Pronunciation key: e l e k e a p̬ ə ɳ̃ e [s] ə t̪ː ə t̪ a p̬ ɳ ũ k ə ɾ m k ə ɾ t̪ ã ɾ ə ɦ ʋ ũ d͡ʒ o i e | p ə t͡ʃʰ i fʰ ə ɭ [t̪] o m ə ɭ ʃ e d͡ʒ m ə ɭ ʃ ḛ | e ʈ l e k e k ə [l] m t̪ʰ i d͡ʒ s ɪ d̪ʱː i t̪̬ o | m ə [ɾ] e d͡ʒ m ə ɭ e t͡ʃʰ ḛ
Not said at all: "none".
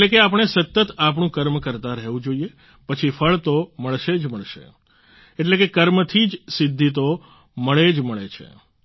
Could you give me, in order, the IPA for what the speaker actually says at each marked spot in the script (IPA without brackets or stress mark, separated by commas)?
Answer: s, t̪, ɾ, ɭ